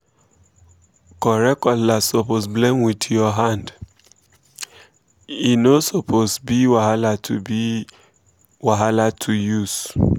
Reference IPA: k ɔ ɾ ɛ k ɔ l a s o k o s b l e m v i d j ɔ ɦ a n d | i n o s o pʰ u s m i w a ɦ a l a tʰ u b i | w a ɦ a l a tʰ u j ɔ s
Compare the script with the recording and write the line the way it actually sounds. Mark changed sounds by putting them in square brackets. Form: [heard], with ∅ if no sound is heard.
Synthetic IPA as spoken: k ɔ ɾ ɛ k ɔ l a s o [p] o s b l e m [w] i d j ɔ ɦ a n d | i n o s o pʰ [o] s [b] i w a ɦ a l a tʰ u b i | w a ɦ a l a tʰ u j [u] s